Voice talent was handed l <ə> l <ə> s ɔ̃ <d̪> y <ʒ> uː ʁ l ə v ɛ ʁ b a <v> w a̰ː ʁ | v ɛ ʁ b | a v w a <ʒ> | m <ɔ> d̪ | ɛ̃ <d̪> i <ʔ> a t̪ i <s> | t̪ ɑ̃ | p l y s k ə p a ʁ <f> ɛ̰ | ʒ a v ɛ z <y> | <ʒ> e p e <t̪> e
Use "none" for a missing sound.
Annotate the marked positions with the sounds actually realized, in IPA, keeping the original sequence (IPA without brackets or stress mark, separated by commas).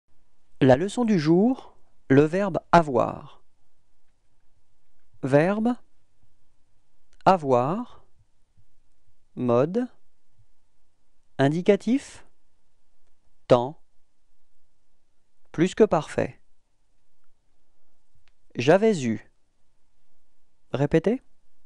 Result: a, ə, d̪, ʒ, v, ʁ, ɔ, d̪, k, f, f, y, ʁ, t̪